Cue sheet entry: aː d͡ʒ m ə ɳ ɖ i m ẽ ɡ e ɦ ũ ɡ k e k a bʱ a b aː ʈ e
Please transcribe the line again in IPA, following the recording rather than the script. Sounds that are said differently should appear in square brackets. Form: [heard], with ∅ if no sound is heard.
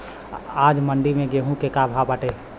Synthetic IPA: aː d͡ʒ m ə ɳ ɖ i m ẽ ɡ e ɦ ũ [∅] k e k a bʱ a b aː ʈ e

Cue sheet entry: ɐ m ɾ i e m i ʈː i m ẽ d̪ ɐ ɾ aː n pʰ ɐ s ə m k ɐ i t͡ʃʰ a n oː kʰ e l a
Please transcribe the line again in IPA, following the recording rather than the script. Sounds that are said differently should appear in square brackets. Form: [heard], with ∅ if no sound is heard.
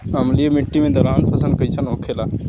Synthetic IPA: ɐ m [l] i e m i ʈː i m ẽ d̪ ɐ ɾ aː n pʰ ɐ s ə [n] k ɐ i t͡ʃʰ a n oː kʰ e l a

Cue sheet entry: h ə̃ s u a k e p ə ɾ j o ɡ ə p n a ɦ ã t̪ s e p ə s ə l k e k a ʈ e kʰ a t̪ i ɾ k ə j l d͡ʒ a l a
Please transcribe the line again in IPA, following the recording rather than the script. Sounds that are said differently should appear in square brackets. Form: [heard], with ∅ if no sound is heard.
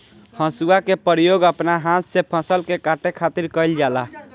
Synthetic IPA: h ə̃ s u a k e p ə ɾ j o ɡ ə p n a ɦ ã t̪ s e [pʰ] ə s ə l k e k a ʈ e kʰ a t̪ i ɾ k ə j l d͡ʒ a l a

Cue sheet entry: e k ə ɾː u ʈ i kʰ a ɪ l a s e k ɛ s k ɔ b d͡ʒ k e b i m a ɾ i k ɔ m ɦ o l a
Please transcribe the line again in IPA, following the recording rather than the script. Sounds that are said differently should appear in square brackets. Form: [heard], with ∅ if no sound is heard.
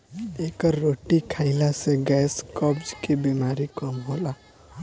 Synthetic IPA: e k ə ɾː [o] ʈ i kʰ a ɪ l a s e [ɡ] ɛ s k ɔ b d͡ʒ k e b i m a ɾ i k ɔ m ɦ o l a

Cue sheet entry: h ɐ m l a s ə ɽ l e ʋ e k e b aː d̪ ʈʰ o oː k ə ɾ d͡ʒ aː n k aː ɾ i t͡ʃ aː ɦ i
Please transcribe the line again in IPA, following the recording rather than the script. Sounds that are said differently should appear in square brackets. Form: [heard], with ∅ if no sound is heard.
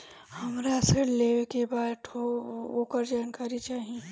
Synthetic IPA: h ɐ m [ɾ] a s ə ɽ l e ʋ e k e b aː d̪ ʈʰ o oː k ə ɾ d͡ʒ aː n k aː ɾ i t͡ʃ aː ɦ i

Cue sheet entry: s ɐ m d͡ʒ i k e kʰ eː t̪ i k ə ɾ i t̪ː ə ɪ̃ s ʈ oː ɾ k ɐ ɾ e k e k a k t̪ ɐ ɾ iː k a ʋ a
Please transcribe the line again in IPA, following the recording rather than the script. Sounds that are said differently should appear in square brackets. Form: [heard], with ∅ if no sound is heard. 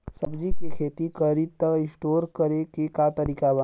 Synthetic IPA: s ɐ [b] d͡ʒ i k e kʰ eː t̪ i k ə ɾ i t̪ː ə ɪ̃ s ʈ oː ɾ k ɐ ɾ e k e k a [∅] t̪ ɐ ɾ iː k a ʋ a

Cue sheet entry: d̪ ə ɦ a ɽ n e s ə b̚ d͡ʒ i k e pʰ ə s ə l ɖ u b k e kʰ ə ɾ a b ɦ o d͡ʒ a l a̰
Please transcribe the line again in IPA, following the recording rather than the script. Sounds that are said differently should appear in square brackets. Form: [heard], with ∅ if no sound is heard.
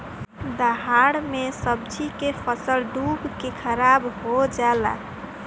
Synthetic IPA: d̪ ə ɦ a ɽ [m] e s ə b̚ d͡ʒ i k e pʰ ə s ə l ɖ u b k e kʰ ə ɾ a b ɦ o d͡ʒ a l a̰

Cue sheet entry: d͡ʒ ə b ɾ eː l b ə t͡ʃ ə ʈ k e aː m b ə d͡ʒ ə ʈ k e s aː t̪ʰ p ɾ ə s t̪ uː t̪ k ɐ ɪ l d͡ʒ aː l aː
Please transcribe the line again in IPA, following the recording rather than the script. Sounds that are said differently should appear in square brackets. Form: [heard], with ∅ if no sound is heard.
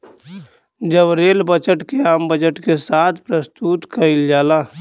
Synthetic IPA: d͡ʒ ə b ɾ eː l b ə t͡ʃ ə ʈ k e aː m b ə d͡ʒ ə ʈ k e s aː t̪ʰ p ɾ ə s t̪ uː t̪ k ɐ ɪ l d͡ʒ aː l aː

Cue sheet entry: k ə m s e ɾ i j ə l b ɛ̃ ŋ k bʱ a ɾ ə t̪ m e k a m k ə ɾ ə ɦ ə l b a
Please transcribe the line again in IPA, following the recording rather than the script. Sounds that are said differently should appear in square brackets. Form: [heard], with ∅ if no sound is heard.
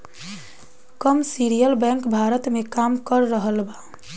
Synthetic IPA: k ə m s [i] ɾ i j ə l b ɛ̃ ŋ k bʱ a ɾ ə t̪ m e k a m k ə [ɾː] ə ɦ ə l b a

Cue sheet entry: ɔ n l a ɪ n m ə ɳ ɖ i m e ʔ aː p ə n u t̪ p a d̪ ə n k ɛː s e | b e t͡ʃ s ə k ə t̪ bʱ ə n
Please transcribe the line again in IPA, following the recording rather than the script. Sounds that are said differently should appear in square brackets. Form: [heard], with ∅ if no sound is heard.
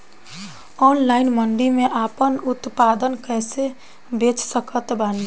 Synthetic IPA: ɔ n l a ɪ n m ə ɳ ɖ i m e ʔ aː p ə n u t̪ p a d̪ ə n k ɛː s e | b e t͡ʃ s ə k ə t̪ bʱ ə n

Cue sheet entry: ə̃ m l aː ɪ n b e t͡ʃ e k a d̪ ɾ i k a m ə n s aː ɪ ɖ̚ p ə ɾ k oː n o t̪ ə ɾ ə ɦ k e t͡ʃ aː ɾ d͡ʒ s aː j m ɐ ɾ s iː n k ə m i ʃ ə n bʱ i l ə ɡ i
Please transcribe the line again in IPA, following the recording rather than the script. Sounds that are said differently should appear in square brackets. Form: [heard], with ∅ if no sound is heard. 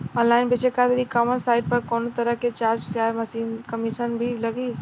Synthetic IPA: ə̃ [n] l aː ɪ n b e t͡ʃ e k a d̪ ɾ i k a m ə n s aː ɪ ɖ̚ p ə ɾ k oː n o t̪ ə ɾ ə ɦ k e t͡ʃ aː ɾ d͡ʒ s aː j m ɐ [∅] s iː n k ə m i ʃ ə n bʱ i l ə ɡ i

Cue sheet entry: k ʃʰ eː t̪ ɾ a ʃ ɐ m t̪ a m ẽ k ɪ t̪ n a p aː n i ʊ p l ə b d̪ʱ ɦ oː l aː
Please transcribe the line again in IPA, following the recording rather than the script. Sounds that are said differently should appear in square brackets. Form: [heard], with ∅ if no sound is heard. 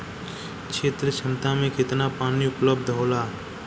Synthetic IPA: k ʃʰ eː t̪ ɾ [ə] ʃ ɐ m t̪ a m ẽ k ɪ t̪ n a p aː n i ʊ p l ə b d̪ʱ ɦ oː l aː

